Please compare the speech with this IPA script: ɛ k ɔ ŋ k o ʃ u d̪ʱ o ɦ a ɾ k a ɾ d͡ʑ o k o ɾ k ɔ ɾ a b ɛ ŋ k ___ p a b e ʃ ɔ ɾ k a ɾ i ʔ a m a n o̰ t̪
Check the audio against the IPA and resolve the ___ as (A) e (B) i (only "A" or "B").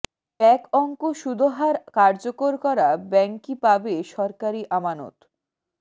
B